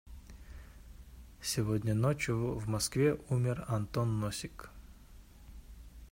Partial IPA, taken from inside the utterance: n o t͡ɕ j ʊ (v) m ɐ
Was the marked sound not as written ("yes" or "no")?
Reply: no